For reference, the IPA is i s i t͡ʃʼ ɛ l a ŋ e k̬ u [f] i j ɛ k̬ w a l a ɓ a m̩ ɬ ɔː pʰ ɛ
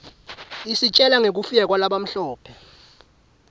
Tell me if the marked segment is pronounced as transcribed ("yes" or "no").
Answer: yes